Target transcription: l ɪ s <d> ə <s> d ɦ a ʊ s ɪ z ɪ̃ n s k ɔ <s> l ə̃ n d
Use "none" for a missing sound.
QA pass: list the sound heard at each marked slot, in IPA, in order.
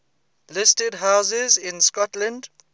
t, none, t

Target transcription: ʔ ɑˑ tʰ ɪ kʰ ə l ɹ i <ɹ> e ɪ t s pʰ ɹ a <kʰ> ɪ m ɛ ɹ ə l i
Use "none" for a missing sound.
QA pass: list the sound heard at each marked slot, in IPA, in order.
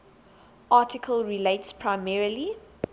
l, none

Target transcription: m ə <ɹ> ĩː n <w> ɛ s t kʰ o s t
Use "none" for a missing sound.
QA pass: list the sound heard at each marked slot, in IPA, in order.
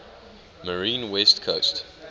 ɹ, w

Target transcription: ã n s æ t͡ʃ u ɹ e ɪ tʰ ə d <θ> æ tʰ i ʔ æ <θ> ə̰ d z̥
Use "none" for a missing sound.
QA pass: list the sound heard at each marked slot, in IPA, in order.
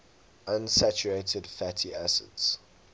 f, s

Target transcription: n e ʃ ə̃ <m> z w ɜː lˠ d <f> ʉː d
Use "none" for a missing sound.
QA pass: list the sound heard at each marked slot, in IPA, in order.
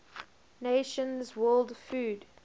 n, f

